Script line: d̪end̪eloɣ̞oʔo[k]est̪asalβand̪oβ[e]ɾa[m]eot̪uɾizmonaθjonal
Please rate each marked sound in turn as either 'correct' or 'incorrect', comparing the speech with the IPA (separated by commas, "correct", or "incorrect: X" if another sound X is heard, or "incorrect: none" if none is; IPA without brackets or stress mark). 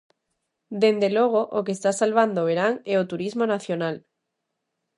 correct, correct, incorrect: ŋ